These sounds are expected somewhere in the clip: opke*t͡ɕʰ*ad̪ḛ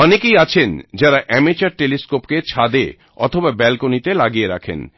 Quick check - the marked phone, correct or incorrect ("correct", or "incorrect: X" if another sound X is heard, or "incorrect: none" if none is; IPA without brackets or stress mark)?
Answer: correct